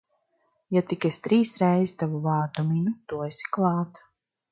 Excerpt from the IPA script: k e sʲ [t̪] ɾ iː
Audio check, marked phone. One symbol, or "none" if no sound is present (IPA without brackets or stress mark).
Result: t̪